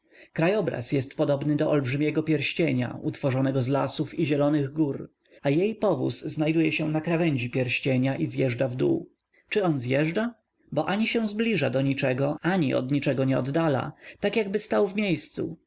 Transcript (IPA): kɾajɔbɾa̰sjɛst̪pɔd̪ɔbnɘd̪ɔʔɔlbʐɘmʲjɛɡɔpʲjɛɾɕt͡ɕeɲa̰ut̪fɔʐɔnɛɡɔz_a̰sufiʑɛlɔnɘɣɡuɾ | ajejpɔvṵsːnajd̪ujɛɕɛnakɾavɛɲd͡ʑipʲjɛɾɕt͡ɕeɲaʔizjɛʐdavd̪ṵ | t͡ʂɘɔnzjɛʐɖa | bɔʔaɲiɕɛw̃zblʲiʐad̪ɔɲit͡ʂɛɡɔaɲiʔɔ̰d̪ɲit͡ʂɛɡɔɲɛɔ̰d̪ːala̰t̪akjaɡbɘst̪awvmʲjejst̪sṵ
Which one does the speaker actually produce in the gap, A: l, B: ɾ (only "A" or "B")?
A